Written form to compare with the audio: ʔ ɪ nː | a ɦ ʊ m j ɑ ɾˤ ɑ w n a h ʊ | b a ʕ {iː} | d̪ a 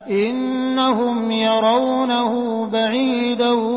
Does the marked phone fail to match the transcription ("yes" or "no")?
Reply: no